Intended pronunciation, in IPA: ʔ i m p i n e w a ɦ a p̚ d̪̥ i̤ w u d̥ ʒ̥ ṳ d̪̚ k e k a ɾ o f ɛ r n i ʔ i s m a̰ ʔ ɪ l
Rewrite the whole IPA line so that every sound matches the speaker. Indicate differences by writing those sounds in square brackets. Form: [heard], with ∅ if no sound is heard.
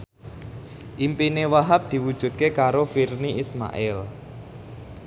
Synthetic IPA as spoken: ʔ i m p i n e w a ɦ a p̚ d̪̥ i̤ w u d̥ ʒ̥ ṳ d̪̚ k e k a ɾ o f [i] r n i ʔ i s m a̰ ʔ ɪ l